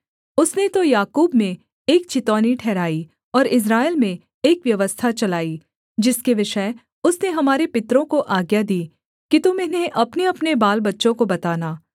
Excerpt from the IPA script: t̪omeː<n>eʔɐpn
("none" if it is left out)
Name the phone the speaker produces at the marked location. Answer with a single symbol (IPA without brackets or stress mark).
n